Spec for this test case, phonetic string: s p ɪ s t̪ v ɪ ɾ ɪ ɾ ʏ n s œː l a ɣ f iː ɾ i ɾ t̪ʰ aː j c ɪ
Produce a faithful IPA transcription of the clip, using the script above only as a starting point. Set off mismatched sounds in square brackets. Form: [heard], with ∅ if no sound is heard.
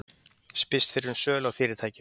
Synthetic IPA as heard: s p ɪ s t̪ [f] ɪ ɾ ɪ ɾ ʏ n s œː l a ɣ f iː ɾ [ɪ] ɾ t̪ʰ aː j c ɪ